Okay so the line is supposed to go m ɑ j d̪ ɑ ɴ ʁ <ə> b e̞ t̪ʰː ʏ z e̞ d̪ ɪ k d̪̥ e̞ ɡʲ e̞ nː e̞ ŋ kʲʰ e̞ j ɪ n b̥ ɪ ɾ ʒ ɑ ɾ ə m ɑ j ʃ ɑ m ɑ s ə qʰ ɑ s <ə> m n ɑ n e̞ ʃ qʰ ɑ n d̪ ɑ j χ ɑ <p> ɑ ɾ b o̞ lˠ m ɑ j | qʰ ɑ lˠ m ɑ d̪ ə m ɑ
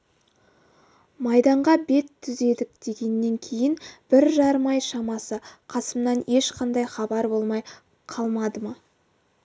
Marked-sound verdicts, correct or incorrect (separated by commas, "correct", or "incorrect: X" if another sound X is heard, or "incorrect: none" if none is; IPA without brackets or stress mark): incorrect: ɑ, correct, incorrect: b